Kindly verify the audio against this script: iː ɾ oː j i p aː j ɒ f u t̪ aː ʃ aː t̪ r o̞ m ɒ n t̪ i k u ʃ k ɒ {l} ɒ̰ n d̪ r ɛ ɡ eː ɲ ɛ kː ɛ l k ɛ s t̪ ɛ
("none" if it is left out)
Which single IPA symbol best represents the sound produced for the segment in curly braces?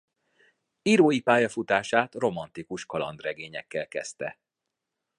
l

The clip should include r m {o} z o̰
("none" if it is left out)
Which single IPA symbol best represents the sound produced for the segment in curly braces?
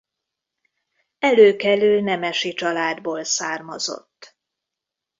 ɒ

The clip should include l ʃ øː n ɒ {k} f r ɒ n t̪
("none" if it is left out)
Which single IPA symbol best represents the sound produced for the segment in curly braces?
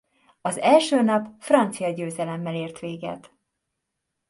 p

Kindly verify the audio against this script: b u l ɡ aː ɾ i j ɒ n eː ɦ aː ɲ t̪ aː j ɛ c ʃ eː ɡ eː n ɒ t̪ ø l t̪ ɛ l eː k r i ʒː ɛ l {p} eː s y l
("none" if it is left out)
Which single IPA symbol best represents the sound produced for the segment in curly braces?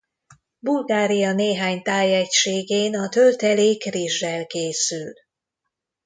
k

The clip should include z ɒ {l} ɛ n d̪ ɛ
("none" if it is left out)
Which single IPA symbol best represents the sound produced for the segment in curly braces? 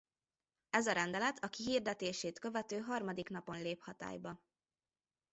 ɾ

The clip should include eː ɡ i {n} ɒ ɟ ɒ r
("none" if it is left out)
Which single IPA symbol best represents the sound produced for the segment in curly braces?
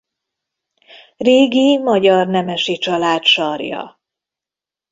m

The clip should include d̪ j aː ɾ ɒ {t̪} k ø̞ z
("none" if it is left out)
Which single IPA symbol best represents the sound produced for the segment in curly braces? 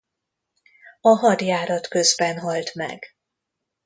t̪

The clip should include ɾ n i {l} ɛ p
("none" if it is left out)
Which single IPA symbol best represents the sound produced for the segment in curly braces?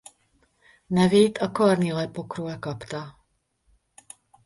l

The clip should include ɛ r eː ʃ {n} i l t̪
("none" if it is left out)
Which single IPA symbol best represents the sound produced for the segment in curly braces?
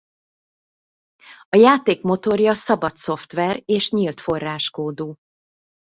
ɲ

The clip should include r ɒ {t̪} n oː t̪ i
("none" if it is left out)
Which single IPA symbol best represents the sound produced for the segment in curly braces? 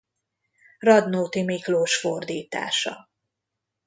d̪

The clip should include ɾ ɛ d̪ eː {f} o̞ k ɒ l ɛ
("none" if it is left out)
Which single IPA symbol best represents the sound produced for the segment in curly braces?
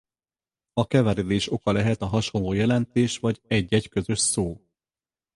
ʃ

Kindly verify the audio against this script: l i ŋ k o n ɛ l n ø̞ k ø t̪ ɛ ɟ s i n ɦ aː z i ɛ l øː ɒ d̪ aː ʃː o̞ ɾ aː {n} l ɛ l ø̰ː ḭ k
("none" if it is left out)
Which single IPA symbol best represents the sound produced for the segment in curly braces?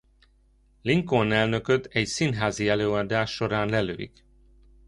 n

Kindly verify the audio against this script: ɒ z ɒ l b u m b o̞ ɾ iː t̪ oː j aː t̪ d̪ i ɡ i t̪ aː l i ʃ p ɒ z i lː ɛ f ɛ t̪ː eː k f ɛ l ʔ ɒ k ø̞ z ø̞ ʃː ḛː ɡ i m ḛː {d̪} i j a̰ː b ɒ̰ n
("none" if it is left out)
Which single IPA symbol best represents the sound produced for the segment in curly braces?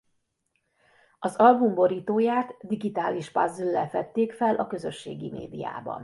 d̪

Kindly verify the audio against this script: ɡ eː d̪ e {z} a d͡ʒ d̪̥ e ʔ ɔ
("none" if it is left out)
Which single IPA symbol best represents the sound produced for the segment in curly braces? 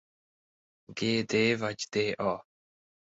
v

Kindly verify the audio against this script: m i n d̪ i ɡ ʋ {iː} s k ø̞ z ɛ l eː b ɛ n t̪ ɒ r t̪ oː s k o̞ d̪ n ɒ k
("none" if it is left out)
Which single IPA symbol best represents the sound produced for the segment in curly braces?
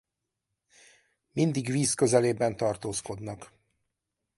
iː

